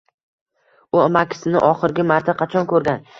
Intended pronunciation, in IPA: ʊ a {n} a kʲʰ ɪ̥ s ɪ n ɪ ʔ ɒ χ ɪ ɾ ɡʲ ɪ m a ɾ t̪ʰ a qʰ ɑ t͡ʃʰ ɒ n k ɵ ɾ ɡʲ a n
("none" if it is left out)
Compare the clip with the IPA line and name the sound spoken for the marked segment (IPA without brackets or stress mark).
m